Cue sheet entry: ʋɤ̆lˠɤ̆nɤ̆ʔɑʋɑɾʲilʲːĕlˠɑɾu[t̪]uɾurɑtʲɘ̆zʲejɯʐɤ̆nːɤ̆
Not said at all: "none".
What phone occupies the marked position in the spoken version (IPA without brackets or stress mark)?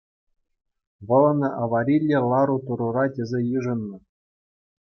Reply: t̪